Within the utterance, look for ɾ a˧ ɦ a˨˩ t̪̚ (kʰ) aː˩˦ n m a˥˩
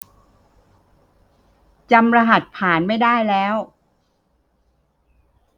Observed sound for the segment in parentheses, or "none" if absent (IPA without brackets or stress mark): pʰ